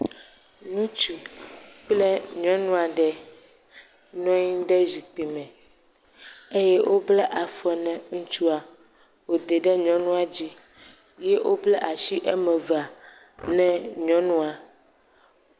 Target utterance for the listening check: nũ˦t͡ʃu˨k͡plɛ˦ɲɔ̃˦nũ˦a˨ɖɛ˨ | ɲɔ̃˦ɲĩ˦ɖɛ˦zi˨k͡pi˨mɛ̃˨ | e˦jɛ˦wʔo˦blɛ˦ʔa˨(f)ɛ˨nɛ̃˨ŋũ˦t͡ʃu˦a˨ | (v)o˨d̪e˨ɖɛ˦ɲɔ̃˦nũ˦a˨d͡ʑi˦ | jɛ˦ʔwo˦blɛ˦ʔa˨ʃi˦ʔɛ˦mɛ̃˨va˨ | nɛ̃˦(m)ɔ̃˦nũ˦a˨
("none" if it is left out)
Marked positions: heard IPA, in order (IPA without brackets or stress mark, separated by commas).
f, w, ɲ